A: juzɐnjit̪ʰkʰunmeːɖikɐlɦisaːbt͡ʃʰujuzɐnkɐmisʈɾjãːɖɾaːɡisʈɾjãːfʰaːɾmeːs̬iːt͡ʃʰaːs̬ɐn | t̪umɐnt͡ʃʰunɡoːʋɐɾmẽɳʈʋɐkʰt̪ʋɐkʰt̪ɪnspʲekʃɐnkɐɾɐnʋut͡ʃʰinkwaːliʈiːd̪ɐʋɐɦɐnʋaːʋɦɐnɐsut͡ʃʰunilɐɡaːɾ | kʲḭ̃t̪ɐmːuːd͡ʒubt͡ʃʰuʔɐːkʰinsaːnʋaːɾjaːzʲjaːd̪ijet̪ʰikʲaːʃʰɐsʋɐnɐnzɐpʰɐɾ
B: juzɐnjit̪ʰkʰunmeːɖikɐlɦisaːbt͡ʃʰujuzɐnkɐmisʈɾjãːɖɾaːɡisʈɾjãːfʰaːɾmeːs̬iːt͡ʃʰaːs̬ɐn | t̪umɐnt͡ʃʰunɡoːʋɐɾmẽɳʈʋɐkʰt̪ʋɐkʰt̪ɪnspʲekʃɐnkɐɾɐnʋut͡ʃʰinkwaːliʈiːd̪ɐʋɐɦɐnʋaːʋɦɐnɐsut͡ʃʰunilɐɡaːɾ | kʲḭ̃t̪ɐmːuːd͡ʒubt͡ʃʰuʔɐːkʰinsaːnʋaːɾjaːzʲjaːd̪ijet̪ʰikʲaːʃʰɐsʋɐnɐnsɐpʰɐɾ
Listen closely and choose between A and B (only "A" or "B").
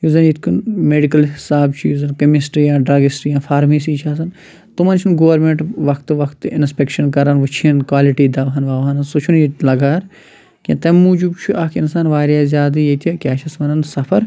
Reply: B